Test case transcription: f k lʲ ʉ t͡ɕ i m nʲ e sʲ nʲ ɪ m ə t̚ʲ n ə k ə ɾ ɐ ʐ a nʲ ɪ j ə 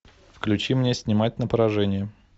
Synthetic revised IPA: f k lʲ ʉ t͡ɕ i m nʲ e sʲ nʲ ɪ m a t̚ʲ n ə p ə ɾ ɐ ʐ ɛ nʲ ɪ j ə